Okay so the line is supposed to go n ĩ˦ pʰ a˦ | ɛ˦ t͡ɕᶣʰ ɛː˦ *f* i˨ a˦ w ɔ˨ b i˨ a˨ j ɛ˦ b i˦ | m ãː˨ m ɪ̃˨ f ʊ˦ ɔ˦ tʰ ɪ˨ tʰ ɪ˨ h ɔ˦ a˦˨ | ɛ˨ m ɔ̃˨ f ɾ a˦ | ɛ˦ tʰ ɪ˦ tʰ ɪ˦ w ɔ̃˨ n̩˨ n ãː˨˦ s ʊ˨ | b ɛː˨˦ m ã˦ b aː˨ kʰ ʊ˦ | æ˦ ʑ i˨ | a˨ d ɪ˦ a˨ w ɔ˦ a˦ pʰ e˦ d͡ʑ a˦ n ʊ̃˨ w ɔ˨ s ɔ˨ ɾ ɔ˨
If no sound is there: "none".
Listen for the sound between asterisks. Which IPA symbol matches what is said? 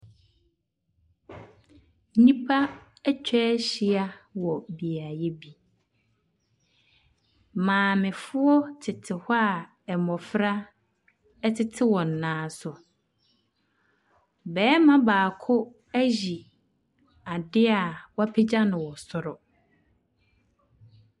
ɕ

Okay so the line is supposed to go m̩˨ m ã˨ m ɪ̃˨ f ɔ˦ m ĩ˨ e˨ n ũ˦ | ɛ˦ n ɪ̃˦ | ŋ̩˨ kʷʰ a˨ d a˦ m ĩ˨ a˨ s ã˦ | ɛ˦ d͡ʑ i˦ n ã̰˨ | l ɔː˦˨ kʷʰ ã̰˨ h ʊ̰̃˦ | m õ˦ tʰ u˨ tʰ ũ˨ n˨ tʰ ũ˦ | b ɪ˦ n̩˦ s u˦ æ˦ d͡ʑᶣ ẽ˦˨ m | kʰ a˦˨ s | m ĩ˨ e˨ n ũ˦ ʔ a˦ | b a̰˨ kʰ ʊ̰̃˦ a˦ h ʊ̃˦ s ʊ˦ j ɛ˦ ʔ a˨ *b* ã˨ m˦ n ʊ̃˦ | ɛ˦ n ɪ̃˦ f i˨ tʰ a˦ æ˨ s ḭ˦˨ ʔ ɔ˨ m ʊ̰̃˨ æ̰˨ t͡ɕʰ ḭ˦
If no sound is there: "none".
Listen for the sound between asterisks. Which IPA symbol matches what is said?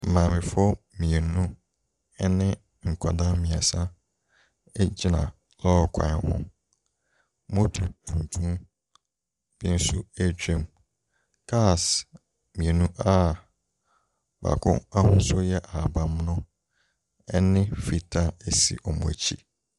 b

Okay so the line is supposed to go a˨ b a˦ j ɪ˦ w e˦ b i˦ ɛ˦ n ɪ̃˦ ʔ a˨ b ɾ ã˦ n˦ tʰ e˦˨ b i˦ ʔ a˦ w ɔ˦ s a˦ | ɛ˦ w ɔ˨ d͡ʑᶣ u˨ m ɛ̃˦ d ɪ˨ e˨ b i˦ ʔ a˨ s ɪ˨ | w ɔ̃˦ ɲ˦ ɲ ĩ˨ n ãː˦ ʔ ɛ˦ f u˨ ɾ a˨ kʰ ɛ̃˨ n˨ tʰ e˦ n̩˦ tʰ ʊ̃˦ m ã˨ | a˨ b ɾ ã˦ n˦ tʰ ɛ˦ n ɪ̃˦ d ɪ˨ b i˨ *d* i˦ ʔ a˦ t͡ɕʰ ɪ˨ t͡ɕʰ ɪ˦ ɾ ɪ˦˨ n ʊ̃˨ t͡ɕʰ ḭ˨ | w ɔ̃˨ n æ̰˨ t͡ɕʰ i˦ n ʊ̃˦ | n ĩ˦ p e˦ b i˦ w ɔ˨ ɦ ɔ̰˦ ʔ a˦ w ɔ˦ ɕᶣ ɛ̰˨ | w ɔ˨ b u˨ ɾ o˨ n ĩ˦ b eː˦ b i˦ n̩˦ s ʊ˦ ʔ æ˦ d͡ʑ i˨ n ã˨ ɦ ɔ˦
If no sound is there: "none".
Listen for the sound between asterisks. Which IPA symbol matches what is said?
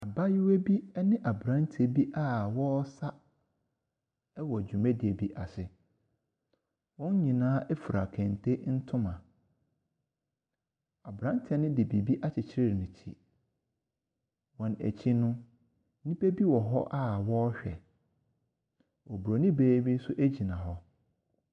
b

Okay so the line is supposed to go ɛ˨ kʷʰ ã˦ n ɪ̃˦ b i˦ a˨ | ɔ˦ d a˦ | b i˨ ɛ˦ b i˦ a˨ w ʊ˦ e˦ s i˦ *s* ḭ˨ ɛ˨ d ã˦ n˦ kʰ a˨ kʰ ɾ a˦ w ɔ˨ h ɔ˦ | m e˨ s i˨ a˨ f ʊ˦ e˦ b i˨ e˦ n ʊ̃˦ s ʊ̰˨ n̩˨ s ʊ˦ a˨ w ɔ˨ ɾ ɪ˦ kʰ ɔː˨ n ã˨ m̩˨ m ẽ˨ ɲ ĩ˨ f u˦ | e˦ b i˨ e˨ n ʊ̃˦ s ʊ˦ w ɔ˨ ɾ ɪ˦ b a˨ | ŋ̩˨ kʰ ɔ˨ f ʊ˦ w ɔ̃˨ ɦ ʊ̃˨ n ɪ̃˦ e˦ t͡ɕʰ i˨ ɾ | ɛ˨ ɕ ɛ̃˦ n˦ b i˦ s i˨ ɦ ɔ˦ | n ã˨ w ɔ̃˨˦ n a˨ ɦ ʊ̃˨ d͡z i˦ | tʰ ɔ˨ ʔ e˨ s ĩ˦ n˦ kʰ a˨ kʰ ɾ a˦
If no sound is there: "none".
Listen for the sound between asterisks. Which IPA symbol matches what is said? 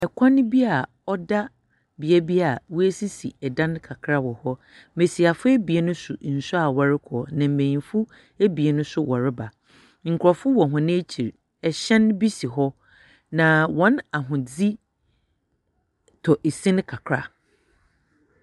s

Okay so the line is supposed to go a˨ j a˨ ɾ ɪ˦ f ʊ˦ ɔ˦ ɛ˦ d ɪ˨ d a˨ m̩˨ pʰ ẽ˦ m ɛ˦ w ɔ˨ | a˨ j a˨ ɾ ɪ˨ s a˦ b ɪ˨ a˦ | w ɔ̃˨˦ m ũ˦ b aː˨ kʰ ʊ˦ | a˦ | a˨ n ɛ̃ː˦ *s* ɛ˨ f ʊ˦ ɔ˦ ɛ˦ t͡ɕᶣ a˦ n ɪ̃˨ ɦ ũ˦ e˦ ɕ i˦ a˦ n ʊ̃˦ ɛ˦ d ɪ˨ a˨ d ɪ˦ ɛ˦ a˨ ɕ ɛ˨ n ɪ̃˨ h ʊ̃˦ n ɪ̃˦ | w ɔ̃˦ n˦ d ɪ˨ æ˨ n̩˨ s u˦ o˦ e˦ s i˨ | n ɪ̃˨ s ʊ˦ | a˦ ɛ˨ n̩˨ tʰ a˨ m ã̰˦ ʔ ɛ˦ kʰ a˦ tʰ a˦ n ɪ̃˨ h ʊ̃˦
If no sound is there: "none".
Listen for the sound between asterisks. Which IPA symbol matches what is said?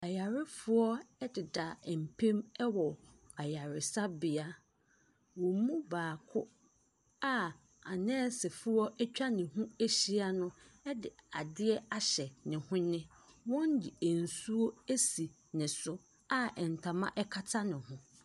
s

